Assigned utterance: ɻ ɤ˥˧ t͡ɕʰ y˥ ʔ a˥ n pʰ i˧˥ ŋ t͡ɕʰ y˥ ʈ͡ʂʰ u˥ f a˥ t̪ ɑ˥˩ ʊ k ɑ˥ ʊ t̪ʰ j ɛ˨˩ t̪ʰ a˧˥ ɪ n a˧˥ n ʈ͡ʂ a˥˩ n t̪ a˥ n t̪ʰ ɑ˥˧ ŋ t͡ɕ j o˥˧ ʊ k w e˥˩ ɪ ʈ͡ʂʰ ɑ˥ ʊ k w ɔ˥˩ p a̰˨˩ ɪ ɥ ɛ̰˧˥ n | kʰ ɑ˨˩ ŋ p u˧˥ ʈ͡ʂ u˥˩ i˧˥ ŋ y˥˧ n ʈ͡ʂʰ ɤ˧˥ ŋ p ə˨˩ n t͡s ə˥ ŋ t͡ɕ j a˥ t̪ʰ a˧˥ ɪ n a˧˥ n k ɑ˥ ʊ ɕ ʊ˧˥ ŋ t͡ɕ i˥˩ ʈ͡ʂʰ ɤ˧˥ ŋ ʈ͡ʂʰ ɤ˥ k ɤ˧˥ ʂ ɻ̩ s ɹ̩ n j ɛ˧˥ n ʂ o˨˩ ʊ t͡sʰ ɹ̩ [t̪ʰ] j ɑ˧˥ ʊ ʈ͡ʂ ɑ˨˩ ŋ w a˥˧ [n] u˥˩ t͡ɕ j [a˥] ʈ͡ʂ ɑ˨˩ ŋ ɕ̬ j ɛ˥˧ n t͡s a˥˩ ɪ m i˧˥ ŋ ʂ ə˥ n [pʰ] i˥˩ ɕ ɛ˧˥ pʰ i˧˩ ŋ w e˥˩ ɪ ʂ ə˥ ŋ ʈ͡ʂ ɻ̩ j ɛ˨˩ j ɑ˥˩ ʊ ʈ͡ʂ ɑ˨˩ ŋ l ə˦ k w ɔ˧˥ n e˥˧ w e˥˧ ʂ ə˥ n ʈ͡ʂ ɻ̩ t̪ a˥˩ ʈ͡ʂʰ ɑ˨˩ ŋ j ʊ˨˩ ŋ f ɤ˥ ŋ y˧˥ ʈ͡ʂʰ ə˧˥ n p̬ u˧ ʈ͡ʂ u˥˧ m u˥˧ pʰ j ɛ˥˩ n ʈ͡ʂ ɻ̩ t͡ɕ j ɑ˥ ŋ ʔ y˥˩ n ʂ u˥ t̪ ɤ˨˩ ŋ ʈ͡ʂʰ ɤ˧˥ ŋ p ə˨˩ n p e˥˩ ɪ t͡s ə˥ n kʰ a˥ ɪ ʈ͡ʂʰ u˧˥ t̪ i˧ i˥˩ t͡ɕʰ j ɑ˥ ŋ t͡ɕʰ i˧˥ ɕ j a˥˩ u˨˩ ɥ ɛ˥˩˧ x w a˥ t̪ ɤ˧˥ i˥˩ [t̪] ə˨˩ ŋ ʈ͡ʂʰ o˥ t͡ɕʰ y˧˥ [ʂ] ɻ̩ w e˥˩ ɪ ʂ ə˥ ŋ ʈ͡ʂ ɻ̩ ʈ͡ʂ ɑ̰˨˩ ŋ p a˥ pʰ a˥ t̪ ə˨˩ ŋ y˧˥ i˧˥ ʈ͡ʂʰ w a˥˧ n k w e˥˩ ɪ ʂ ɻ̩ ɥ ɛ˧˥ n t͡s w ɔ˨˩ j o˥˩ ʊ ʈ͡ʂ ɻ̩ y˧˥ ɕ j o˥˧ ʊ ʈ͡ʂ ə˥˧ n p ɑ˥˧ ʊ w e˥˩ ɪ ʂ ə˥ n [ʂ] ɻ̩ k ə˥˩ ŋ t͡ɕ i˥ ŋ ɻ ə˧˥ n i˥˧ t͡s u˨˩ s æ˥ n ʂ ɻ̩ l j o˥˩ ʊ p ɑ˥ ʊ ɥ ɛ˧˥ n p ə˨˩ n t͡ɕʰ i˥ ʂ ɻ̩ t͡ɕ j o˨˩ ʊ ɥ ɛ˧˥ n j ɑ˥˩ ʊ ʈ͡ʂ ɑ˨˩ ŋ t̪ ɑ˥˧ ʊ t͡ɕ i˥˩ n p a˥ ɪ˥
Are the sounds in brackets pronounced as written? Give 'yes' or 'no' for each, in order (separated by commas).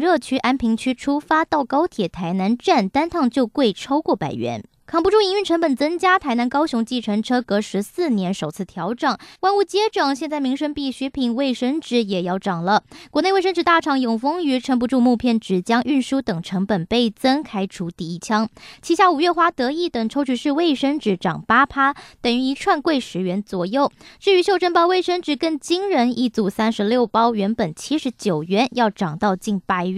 yes, yes, no, no, yes, yes, no